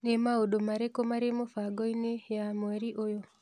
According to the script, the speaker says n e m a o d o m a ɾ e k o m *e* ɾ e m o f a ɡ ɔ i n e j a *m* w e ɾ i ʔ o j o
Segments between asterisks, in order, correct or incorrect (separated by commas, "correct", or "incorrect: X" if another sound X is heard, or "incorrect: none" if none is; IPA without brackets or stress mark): incorrect: a, correct